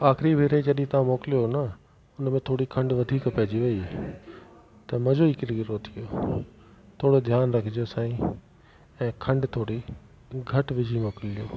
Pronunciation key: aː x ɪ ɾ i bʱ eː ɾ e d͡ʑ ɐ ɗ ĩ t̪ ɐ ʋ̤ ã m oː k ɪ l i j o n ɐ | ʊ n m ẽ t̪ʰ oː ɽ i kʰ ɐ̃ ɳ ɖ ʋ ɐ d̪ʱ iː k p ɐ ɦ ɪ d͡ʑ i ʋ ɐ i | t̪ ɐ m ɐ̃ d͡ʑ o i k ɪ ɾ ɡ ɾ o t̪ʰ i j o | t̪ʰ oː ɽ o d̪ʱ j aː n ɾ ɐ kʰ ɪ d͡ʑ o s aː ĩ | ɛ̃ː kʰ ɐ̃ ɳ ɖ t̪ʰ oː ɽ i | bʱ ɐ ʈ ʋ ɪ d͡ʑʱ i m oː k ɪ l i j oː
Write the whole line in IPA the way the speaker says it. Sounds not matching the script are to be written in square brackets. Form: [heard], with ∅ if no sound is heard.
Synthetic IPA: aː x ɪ ɾ i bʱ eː ɾ e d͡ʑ ɐ ɗ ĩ t̪ ɐ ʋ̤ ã m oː k ɪ l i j o n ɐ | ʊ n m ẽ t̪ʰ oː ɽ i kʰ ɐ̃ ɳ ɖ ʋ ɐ d̪ʱ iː k p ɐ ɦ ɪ d͡ʑ i ʋ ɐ i | t̪ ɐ m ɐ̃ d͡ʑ o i k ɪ ɾ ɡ ɾ o t̪ʰ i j o | t̪ʰ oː ɽ o d̪ʱ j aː n ɾ ɐ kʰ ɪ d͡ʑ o s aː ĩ | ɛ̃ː kʰ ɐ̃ ɳ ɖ t̪ʰ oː ɽ i | [ɡʱ] ɐ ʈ ʋ ɪ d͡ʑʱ i m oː k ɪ l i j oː

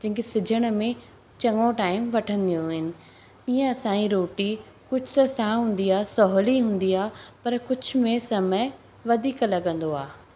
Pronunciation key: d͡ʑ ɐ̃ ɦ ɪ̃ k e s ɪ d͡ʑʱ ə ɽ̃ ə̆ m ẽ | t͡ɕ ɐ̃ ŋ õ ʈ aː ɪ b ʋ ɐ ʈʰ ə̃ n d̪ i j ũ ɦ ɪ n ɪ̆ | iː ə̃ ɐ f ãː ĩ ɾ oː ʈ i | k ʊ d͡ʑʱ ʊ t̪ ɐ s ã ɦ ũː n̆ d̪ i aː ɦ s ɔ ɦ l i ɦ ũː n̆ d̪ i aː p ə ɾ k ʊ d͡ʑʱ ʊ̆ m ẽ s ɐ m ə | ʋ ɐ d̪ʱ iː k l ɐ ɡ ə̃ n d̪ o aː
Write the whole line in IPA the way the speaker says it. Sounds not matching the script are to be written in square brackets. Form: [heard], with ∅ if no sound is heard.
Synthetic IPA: d͡ʑ ɐ̃ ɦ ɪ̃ k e s ɪ d͡ʑʱ ə ɽ̃ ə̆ m ẽ | t͡ɕ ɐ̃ ŋ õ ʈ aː ɪ [m] ʋ ɐ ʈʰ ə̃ n d̪ i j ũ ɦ ɪ n ɪ̆ | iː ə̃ ɐ [s] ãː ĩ ɾ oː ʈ i | k ʊ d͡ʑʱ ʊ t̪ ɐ s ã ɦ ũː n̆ d̪ i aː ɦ s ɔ ɦ l i ɦ ũː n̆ d̪ i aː p [ɐ] ɾ k ʊ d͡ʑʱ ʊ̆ m ẽ s ɐ m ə | ʋ ɐ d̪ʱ iː k l ɐ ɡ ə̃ n d̪ o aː

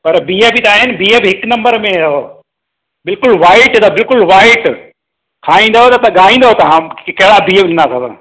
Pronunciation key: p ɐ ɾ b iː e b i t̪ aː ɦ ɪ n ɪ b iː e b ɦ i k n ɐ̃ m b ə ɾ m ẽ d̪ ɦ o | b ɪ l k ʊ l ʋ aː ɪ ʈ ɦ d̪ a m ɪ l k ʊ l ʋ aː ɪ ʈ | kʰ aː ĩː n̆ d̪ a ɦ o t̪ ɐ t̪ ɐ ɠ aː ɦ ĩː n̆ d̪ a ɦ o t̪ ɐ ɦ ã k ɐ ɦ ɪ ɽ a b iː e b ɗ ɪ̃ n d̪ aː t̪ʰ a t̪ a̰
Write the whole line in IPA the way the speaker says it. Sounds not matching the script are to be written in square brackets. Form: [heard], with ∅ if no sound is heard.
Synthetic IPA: p ɐ ɾ b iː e b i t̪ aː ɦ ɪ n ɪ b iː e b ɦ [ɪ] k n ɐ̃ m b ə ɾ m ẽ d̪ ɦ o | b ɪ l k ʊ l ʋ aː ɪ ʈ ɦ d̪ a [b] ɪ l k ʊ l ʋ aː ɪ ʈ | kʰ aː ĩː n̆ d̪ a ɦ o t̪ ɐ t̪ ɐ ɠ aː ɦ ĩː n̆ d̪ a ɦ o t̪ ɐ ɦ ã k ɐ ɦ ɪ ɽ a b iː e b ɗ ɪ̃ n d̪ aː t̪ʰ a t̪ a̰

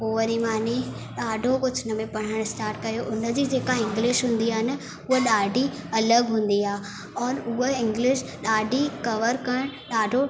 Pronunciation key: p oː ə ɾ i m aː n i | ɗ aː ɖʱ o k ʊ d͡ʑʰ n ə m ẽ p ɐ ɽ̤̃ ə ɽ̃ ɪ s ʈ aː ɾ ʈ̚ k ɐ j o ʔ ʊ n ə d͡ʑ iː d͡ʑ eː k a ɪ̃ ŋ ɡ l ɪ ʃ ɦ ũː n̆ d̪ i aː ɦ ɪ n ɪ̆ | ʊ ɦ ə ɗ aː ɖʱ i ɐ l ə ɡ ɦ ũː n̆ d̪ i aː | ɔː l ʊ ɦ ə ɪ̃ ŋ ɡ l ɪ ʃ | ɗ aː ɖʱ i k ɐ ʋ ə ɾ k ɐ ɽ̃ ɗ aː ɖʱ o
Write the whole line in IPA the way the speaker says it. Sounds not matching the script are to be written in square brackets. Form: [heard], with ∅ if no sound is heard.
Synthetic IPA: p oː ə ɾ i m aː n i | ɗ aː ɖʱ o k ʊ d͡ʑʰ n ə m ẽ p ɐ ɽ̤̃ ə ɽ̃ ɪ s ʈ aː ɾ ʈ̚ k ɐ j o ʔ ʊ n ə d͡ʑ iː d͡ʑ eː k a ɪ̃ ŋ ɡ l ɪ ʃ ɦ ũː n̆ d̪ i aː ɦ ɪ n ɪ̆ | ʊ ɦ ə ɗ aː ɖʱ i ɐ l ə ɡ ɦ ũː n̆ d̪ i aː | ɔː [ɾ] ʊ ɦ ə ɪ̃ ŋ ɡ l ɪ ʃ | ɗ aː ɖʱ i k ɐ ʋ ə ɾ k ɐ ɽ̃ ɗ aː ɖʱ o

